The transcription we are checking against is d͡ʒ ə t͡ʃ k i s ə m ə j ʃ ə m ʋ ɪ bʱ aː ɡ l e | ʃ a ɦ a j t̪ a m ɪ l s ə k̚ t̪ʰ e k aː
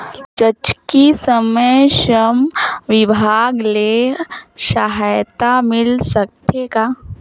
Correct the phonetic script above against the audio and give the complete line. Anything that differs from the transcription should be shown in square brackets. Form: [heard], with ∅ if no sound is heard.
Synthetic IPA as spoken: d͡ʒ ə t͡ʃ k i s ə m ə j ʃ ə m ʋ ɪ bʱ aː ɡ l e | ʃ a ɦ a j t̪ a m ɪ l s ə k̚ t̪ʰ e k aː